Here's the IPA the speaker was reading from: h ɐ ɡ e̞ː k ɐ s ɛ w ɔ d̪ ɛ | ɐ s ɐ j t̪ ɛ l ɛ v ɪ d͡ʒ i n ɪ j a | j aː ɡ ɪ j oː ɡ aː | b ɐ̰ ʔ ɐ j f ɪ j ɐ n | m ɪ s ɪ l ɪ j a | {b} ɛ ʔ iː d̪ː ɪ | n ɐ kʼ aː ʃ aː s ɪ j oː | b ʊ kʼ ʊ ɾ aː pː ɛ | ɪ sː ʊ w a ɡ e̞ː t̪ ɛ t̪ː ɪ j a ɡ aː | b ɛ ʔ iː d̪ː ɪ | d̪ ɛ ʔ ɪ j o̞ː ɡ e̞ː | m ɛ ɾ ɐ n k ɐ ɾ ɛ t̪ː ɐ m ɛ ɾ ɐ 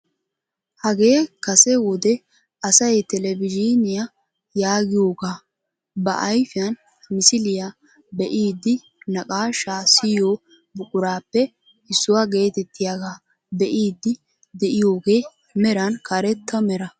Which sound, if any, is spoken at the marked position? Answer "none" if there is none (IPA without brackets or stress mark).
b